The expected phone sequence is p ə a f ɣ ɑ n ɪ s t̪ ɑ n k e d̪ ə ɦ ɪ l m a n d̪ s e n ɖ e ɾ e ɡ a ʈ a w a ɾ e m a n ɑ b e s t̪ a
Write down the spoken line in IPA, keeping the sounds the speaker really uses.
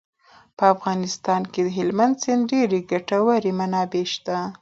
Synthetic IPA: p ə a f ɣ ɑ n ɪ s t̪ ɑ n k e d̪ ə ɦ ɪ l m a n d̪ s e n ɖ e ɾ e ɡ a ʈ a w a ɾ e m a n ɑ b e ʃ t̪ a